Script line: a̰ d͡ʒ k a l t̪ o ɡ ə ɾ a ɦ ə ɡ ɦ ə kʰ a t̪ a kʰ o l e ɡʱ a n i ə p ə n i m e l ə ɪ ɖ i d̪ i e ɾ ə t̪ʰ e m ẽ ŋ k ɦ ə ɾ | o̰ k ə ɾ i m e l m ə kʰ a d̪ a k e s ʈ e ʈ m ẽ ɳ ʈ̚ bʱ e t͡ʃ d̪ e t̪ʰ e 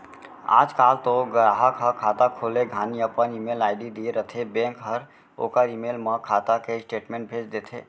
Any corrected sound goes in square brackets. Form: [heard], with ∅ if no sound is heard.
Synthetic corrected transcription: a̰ d͡ʒ k a l t̪ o ɡ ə ɾ a ɦ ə [k] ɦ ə kʰ a t̪ a kʰ o l e ɡʱ a n i ə p ə n i m e l [a] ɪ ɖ i d̪ i e ɾ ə t̪ʰ e [b] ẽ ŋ k ɦ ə ɾ | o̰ k ə ɾ i m e l m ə kʰ a [t̪] a k e s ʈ e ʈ m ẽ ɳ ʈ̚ bʱ e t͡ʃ d̪ e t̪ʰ e